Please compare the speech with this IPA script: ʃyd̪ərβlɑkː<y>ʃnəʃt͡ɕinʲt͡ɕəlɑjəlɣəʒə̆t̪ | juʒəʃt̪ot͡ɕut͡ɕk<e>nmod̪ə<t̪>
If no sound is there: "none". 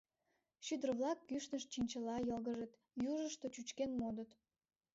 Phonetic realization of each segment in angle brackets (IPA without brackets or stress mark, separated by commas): y, e, t̪